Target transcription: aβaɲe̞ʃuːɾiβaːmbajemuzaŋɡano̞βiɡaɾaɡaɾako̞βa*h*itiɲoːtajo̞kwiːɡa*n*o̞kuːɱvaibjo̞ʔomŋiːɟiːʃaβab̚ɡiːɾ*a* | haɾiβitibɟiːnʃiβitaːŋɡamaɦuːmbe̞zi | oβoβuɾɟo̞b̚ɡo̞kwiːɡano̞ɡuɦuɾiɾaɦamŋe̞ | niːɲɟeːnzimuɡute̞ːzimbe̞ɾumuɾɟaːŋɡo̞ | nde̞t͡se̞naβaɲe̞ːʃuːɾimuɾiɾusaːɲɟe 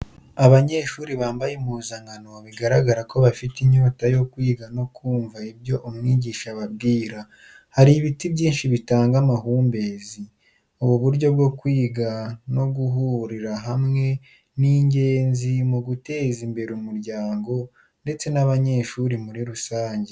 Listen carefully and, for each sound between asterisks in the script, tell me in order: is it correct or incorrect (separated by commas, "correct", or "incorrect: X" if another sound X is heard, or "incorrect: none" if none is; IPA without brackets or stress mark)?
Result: incorrect: f, correct, correct